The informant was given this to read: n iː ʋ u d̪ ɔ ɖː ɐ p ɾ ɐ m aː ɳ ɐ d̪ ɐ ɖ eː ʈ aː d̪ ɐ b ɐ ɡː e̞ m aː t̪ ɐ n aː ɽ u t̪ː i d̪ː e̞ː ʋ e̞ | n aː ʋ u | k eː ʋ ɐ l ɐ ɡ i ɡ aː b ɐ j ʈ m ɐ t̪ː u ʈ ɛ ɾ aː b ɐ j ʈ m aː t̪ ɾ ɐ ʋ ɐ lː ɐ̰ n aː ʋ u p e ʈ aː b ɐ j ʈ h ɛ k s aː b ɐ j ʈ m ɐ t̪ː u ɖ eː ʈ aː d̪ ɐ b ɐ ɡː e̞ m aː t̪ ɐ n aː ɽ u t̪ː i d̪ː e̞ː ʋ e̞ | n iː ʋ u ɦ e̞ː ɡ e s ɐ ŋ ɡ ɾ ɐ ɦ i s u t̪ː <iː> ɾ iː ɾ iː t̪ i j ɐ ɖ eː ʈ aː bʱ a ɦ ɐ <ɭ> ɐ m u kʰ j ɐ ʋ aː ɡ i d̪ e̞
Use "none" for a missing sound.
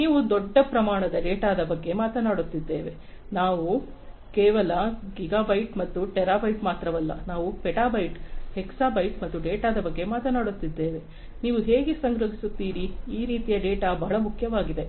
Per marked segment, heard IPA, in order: iː, ɭ

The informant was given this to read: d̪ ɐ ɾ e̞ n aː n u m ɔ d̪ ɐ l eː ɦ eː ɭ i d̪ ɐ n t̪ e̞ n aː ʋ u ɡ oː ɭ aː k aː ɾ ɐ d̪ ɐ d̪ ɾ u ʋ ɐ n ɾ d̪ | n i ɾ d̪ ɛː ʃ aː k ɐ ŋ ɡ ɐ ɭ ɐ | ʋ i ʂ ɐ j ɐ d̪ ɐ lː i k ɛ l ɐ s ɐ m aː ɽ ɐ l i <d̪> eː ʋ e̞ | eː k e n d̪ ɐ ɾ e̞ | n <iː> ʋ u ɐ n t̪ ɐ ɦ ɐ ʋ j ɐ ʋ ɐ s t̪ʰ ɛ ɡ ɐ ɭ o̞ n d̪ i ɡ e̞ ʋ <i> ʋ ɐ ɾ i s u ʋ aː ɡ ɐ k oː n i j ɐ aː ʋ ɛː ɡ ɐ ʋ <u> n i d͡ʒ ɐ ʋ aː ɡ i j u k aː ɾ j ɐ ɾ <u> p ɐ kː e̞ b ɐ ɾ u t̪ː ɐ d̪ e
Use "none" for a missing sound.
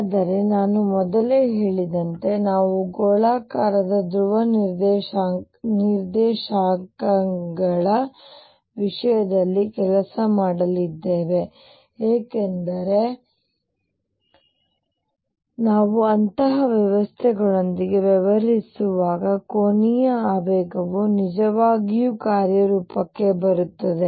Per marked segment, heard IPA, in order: d̪ː, aː, ɛ, u, uː

